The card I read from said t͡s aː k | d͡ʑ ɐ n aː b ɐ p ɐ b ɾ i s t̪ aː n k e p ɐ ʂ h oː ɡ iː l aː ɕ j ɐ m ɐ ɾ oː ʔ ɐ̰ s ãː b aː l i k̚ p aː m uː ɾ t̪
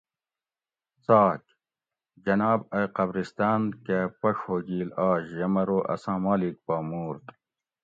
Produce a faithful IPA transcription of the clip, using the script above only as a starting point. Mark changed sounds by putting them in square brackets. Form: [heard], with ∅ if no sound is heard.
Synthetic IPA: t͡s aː k | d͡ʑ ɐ n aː b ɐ [q] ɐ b ɾ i s t̪ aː n k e p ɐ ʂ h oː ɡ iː l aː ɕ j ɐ m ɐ ɾ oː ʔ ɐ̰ s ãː [m] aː l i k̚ p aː m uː ɾ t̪